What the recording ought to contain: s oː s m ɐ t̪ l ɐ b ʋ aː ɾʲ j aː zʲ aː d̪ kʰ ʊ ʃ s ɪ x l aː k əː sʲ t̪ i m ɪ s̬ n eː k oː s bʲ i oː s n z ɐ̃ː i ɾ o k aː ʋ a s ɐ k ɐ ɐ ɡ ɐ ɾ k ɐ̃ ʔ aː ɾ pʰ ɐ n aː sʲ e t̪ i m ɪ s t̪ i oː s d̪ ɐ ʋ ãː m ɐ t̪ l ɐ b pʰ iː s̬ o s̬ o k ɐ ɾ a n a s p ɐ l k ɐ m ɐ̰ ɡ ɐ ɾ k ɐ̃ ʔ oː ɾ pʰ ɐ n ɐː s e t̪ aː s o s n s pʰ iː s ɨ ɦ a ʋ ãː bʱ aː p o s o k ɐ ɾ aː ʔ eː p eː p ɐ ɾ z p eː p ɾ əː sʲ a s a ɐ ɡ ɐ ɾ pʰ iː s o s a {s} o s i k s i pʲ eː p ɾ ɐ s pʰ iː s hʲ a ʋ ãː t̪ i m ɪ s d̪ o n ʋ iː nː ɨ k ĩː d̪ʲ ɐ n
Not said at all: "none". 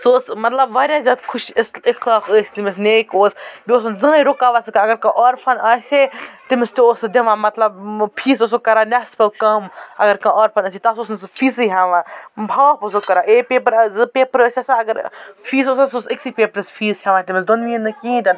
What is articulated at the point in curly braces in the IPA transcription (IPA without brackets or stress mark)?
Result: s